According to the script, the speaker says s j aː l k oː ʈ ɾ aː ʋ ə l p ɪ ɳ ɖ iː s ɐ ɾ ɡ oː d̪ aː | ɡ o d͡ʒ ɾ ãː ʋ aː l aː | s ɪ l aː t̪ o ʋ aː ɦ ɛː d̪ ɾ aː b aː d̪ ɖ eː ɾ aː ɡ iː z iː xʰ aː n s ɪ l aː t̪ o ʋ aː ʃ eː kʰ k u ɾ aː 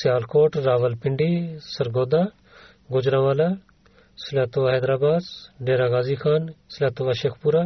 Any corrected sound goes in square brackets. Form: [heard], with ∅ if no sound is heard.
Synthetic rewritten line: s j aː l k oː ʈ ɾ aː ʋ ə l p ɪ ɳ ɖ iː s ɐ ɾ ɡ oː d̪ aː | ɡ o d͡ʒ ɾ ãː ʋ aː l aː | s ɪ l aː t̪ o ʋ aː ɦ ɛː d̪ ɾ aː b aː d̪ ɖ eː ɾ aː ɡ [aː] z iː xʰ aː n s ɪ l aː t̪ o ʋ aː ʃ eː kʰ [p] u ɾ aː